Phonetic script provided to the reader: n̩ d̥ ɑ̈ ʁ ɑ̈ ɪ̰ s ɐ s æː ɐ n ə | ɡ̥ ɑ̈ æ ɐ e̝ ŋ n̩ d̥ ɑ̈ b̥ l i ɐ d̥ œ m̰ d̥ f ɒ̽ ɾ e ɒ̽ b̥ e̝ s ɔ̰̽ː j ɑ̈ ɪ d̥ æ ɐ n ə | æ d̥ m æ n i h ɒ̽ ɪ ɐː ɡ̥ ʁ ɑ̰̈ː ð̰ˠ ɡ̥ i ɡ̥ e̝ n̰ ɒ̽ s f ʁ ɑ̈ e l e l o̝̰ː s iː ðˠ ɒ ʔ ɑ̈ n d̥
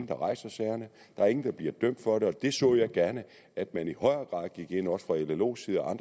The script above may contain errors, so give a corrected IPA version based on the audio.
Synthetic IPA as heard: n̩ d̥ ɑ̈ ʁ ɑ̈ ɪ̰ s ɐ s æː ɐ n ə | d̥ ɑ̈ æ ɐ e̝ ŋ n̩ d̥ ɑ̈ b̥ l i ɐ d̥ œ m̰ d̥ f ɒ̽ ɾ e ɒ̽ d̥ e̝ s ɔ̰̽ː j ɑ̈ ɪ ɡ̥ æ ɐ n ə | æ d̥ m æ n i h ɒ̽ ɪ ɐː ɡ̥ ʁ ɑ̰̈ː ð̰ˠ ɡ̥ i ɡ̥ e̝ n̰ ɒ̽ s f ʁ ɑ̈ e l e l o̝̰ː s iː ðˠ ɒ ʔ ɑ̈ n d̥